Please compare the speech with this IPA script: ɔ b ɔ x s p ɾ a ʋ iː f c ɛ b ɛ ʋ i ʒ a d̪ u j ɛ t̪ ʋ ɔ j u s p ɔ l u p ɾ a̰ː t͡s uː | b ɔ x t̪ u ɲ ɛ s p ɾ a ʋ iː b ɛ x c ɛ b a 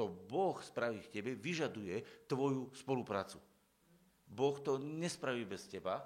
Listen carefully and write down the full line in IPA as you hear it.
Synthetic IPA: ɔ b ɔ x s p ɾ a ʋ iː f c ɛ b ɛ ʋ i ʒ a d̪ u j ɛ t̪ ʋ ɔ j u s p ɔ l u p ɾ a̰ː t͡s u | b ɔ x t̪ ɔ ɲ ɛ s p ɾ a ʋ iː b ɛ s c ɛ b a